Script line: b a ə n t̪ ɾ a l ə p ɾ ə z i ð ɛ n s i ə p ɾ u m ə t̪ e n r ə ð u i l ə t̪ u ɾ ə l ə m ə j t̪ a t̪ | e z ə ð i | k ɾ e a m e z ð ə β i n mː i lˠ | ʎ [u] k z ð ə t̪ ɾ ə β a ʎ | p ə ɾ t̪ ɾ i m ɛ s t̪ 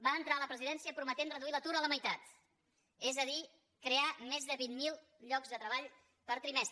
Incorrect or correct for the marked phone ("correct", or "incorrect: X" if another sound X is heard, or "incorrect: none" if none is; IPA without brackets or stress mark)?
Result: incorrect: ɔ